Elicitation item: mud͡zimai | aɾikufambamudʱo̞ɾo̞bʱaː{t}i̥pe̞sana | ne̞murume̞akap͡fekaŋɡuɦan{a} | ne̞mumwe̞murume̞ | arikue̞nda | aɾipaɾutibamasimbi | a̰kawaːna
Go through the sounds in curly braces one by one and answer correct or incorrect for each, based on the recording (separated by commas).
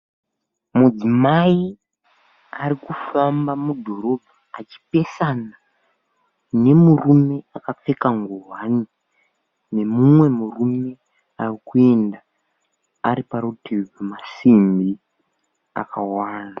incorrect, incorrect